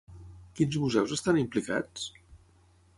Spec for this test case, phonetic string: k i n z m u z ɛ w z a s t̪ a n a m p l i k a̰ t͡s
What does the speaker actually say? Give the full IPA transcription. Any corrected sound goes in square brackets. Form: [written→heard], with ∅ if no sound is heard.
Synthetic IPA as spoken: k i n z m u z ɛ w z [a→ə] s t̪ a n [a→i] m p l i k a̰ t͡s